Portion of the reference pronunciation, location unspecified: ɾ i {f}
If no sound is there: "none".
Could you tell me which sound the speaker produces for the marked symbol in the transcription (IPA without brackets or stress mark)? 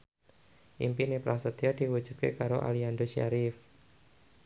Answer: f